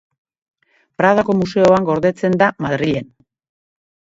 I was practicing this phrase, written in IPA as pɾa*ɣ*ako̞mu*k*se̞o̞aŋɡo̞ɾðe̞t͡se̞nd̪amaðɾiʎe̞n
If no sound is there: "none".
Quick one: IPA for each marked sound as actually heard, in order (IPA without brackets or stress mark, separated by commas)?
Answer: ð, none